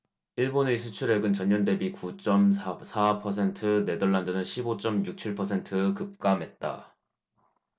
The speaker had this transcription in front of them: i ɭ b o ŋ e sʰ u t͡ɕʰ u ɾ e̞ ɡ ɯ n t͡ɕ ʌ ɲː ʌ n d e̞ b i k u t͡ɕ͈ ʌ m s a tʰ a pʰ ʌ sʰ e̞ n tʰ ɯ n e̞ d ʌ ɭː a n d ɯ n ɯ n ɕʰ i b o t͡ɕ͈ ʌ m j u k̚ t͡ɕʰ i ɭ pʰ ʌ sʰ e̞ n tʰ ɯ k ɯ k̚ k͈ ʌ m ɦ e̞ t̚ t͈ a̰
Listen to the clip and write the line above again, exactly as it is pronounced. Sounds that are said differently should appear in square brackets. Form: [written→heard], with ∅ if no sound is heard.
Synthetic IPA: i ɭ b o [ŋ→n] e sʰ u t͡ɕʰ u ɾ e̞ ɡ ɯ n t͡ɕ ʌ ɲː ʌ n d e̞ b i k u t͡ɕ͈ ʌ m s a [tʰ→sʰ] a pʰ ʌ sʰ e̞ n tʰ ɯ n e̞ d ʌ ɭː a n d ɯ n ɯ n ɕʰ i b o t͡ɕ͈ ʌ m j u k̚ t͡ɕʰ i ɭ pʰ ʌ sʰ e̞ n tʰ ɯ k ɯ [k̚→p̚] k͈ [ʌ→a] m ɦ e̞ t̚ t͈ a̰